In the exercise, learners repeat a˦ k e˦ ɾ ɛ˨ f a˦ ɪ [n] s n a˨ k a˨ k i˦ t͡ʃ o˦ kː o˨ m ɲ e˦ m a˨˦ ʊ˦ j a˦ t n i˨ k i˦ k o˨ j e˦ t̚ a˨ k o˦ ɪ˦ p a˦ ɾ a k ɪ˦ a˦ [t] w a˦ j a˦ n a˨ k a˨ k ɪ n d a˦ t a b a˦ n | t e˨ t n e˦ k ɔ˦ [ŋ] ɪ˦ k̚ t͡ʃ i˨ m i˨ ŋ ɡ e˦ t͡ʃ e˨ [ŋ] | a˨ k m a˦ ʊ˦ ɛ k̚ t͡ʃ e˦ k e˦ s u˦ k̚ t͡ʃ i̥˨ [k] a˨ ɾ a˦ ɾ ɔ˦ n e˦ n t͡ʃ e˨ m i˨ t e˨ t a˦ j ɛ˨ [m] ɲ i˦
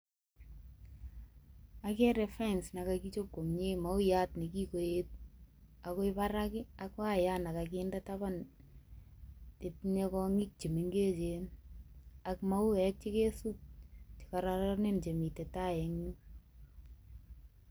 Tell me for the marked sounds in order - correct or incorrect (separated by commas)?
correct, incorrect, correct, incorrect, correct, incorrect